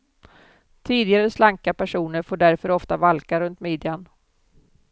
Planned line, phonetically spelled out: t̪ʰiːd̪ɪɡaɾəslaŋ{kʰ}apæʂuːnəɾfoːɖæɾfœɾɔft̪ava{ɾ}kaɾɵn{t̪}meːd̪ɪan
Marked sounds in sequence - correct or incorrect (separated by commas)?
incorrect, incorrect, correct